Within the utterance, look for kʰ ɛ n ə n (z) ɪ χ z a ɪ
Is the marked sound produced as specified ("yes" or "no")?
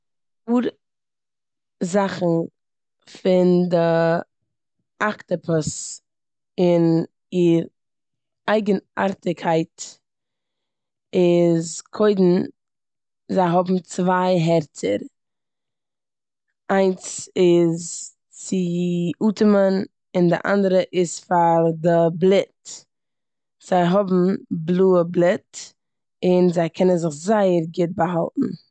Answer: yes